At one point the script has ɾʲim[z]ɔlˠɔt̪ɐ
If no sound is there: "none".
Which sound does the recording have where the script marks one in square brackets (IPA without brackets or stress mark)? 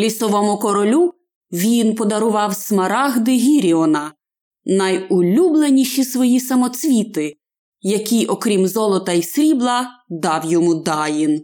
z